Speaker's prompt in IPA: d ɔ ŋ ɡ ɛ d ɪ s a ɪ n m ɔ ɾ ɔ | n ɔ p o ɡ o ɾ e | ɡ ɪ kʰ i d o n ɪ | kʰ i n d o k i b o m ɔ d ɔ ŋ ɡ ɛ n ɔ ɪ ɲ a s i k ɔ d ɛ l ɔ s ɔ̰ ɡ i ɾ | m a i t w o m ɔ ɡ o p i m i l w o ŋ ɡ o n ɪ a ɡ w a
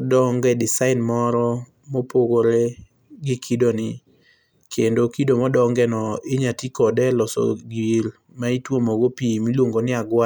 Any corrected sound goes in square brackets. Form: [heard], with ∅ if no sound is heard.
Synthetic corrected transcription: d ɔ ŋ ɡ ɛ d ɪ s a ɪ n m ɔ ɾ ɔ | [m] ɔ p o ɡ o ɾ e | ɡ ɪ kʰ i d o n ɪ | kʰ [e] n d o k i [d] o m ɔ d ɔ ŋ ɡ ɛ n ɔ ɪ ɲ a [t] i k ɔ d ɛ l ɔ s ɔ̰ ɡ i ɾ | m a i t w o m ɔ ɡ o p i m i l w o ŋ ɡ o n ɪ a ɡ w a